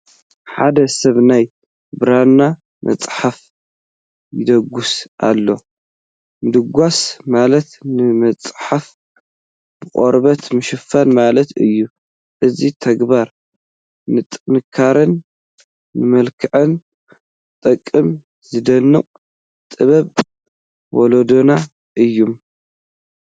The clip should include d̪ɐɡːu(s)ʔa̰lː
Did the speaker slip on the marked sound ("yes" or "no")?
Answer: no